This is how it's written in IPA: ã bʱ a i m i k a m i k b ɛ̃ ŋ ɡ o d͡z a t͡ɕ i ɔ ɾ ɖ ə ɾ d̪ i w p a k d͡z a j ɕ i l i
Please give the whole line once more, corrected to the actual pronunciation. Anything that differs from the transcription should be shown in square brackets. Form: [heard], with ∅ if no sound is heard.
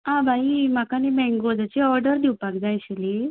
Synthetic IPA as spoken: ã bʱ a i m [a] k a [n] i [∅] b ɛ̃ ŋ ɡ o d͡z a t͡ɕ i ɔ ɾ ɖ ə ɾ d̪ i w p a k d͡z a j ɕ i l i